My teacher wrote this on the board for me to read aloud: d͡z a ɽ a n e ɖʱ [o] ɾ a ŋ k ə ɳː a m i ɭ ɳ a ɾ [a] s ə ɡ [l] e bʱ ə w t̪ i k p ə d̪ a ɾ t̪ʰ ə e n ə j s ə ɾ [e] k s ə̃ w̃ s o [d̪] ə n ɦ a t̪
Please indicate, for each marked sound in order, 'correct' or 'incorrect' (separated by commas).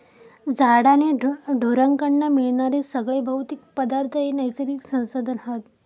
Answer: correct, incorrect, incorrect, incorrect, correct